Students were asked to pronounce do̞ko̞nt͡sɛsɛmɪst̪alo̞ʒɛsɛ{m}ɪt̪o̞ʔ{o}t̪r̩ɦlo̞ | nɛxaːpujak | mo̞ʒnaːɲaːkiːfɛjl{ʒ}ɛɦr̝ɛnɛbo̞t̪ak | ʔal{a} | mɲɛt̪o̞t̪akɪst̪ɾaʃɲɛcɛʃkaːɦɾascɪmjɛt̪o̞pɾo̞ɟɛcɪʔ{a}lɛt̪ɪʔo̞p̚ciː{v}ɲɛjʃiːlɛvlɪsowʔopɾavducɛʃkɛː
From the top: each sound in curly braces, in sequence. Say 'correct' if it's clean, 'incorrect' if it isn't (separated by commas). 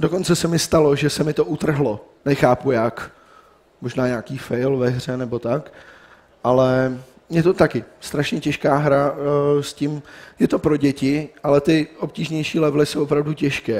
correct, incorrect, incorrect, incorrect, correct, incorrect